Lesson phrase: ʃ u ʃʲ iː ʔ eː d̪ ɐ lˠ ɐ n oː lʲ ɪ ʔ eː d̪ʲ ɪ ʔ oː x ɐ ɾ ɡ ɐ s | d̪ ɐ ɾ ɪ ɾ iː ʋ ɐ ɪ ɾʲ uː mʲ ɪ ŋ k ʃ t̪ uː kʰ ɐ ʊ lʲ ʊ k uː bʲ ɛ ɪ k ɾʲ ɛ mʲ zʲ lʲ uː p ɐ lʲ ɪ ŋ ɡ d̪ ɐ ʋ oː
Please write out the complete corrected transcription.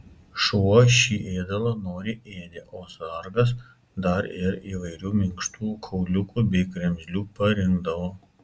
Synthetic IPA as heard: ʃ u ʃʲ iː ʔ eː d̪ ɐ lˠ ɐ n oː ɾʲ ɪ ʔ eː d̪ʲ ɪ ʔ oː s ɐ ɾ ɡ ɐ s | d̪ ɐ ɾ ɪ ɾ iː ʋ ɐ ɪ ɾʲ uː mʲ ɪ ŋ k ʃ t̪ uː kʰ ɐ ʊ lʲ ʊ k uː bʲ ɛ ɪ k ɾʲ ɛ mʲ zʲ lʲ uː p ɐ ɾʲ ɪ ŋ ɡ d̪ ɐ ʋ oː